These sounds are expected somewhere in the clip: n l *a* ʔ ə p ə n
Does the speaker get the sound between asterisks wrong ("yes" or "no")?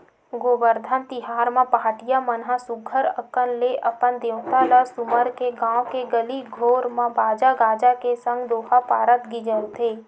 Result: yes